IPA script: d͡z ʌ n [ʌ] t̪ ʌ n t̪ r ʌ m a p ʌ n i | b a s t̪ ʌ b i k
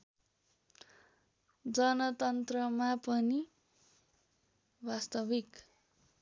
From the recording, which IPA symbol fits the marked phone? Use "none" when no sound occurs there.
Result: ʌ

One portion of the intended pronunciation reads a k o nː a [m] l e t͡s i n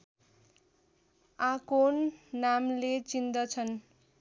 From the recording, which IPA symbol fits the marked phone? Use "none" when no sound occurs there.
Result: m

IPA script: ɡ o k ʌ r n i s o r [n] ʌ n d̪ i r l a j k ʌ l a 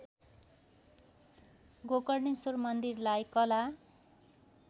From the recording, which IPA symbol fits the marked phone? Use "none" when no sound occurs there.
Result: m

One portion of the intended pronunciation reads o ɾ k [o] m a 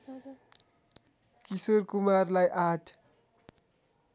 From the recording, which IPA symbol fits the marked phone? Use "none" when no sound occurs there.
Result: u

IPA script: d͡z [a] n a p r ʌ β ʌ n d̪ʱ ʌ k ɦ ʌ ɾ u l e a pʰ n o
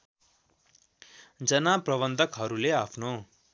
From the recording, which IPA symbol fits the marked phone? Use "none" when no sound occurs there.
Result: ʌ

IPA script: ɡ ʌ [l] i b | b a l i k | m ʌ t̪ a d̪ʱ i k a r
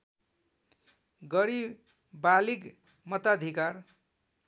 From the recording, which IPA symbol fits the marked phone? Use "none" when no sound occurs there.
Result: ɾ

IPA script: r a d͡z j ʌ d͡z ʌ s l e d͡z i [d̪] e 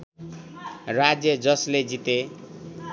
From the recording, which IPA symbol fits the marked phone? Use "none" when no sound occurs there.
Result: t̪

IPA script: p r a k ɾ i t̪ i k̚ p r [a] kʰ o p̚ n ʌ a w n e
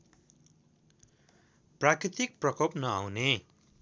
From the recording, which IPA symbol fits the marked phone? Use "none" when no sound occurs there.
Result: ʌ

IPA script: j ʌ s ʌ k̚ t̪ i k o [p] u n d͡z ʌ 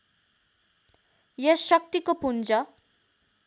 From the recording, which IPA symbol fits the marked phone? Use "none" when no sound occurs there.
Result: p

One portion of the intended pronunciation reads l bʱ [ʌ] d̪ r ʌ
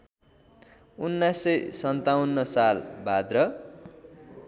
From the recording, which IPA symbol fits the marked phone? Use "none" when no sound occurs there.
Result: a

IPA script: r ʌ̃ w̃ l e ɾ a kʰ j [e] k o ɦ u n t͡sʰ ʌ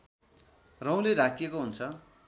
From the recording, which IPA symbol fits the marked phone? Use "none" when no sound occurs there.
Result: e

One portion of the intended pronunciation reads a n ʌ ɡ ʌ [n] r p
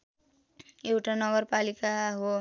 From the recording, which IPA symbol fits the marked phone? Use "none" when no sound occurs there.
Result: none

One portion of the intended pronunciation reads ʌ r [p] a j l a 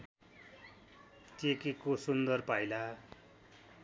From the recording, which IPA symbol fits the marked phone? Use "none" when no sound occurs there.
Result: p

